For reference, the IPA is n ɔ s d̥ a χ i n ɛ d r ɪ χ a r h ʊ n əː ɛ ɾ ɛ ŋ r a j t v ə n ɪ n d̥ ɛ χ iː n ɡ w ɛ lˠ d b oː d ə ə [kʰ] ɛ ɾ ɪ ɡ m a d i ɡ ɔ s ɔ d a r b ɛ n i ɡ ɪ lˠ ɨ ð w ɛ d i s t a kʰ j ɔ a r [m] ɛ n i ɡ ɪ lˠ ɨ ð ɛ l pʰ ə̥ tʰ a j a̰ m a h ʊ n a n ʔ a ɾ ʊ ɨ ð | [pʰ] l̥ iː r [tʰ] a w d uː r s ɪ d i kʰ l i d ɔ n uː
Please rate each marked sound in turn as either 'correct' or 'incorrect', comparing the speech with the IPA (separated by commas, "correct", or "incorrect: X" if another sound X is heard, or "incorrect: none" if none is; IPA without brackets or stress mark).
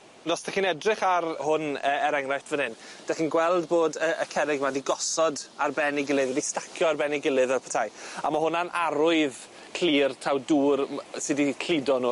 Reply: correct, incorrect: b, incorrect: kʰ, correct